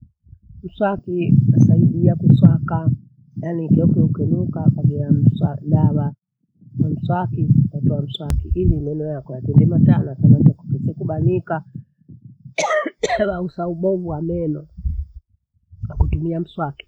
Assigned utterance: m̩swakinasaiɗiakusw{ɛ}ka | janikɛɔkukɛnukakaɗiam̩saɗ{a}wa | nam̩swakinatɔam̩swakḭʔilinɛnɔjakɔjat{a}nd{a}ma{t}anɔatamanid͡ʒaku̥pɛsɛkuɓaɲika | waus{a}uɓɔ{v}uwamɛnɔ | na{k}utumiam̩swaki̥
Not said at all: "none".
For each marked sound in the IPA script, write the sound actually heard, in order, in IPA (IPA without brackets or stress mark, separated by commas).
a, a, ɛ, ɛ, t, a, v, k